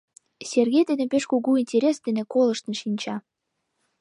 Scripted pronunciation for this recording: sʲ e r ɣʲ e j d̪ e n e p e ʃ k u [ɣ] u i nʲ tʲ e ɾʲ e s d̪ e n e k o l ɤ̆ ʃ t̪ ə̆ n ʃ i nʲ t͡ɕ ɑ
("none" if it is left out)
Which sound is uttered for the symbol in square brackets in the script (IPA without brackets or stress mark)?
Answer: ɣ